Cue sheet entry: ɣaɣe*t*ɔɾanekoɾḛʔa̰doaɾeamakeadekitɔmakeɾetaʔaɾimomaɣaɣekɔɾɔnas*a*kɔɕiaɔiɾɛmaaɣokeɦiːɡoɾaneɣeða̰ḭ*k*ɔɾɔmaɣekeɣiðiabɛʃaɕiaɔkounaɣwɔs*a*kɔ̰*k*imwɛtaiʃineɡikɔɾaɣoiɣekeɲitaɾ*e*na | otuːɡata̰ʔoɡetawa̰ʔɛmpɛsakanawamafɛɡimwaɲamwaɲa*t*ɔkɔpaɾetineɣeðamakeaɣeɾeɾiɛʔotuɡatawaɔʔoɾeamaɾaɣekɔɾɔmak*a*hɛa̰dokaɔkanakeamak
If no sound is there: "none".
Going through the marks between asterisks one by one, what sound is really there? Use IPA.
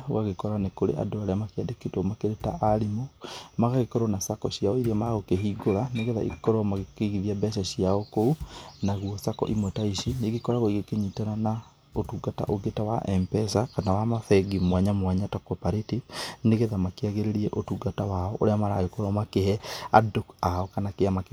k, a, k, a, ʔ, a, t, e

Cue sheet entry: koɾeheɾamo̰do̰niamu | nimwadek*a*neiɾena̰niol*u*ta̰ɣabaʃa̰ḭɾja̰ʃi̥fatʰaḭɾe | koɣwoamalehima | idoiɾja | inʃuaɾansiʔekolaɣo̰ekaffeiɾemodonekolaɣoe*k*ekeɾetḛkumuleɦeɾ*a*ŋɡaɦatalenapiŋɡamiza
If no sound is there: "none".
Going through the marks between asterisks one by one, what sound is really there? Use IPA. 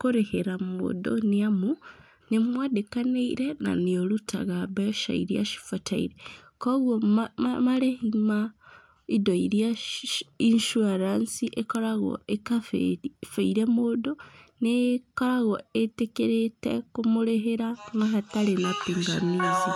a, u, t, a

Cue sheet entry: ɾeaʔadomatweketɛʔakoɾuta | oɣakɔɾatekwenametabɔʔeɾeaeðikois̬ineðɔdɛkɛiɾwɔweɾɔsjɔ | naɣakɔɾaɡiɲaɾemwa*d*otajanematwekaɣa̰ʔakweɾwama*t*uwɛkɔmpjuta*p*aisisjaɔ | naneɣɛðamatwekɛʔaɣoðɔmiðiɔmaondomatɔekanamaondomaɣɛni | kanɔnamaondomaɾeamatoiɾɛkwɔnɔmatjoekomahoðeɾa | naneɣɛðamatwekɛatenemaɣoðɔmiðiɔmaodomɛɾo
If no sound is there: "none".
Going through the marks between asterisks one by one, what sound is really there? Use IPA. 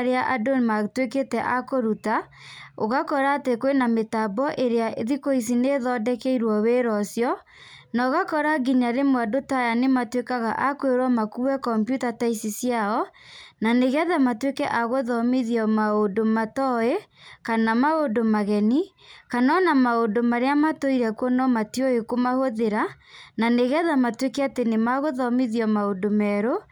d, k, t

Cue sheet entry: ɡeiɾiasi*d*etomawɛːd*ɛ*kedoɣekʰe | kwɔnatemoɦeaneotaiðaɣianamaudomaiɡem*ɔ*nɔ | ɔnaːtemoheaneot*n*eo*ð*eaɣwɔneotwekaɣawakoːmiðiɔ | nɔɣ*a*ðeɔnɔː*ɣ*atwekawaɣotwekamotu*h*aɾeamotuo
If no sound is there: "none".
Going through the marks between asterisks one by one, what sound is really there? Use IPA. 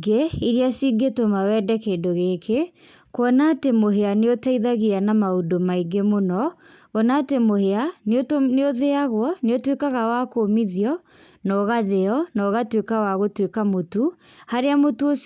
ɡ, ɛ, o, n, ð, a, ɣ, h

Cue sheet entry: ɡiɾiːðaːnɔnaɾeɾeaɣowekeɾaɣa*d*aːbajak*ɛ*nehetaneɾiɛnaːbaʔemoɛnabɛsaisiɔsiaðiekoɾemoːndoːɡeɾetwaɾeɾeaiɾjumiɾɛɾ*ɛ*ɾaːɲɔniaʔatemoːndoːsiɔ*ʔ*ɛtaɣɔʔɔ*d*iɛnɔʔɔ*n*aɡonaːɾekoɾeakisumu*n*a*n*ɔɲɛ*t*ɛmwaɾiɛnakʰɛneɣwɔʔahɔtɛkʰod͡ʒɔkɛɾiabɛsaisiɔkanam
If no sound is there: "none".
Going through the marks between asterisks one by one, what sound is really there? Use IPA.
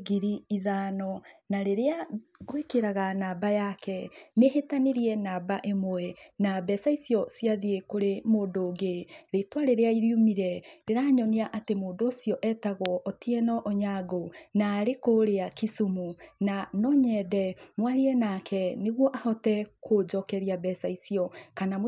n, ɛ, e, ʔ, t, ɲ, n, n, d

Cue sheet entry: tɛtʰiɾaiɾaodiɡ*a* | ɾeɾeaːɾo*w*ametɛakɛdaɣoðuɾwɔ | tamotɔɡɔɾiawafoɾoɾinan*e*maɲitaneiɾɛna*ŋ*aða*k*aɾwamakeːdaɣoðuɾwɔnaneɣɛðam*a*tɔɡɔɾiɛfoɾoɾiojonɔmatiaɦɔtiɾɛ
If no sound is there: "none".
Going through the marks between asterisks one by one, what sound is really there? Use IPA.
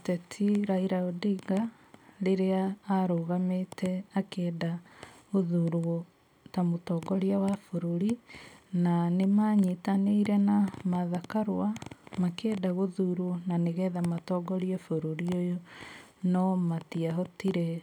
a, ɣ, e, m, k, a

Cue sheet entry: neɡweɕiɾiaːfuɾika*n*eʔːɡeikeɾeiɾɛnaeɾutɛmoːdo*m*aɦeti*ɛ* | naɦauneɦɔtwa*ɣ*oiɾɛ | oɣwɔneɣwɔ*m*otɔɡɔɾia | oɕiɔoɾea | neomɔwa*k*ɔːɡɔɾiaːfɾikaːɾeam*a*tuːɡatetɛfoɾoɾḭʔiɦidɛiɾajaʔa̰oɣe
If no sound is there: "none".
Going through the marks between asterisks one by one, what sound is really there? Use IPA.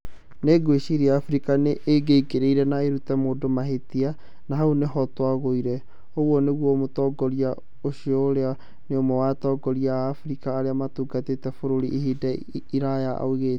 n, m, a, ɣ, m, t, a

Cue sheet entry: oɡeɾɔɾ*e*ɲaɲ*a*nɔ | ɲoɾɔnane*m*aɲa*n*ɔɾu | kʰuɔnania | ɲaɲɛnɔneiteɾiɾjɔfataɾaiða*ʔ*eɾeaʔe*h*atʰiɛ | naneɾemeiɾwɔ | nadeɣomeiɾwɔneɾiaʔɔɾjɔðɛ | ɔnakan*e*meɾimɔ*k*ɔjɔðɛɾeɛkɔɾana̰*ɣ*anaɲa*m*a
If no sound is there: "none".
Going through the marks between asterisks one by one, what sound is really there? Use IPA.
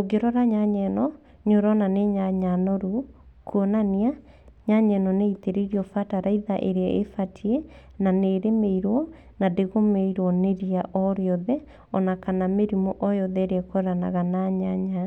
a, ɛ, ɲ, n, ʔ, f, a, ʔ, ɣ, ɲ

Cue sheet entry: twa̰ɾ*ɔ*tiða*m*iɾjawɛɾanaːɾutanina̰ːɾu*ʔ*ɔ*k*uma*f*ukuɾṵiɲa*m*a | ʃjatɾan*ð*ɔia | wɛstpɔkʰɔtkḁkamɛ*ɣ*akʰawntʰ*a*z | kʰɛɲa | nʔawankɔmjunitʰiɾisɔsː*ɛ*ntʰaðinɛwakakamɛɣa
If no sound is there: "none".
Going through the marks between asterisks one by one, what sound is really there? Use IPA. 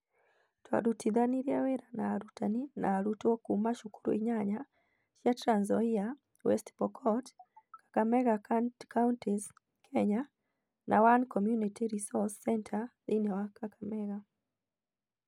u, n, t, k, ʃ, ɲ, z, ɣ, i, ɛ

